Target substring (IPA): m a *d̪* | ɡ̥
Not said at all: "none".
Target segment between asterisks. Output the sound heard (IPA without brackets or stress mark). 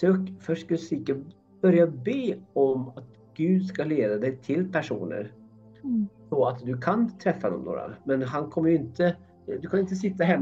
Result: t̪